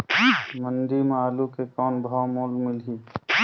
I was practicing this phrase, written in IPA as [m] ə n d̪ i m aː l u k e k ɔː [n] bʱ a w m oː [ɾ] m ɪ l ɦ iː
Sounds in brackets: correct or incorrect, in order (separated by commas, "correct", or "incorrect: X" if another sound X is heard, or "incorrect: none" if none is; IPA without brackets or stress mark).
correct, correct, incorrect: l